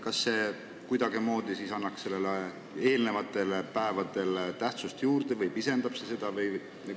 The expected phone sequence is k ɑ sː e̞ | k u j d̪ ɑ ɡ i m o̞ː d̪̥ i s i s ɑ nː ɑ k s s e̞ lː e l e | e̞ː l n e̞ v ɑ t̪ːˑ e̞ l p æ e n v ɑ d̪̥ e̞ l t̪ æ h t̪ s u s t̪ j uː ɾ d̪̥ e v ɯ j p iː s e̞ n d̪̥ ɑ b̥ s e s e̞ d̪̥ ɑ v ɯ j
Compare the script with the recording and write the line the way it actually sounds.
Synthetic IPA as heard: k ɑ sː e̞ | k u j d̪ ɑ ɡ i m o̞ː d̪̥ i s i s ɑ nː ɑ k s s e̞ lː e l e | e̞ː l n e̞ v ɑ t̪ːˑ e̞ l p æ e v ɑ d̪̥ e̞ l t̪ æ h t̪ s u s t̪ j uː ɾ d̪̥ e v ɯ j p i s e̞ n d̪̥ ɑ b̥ s e s e̞ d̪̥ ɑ v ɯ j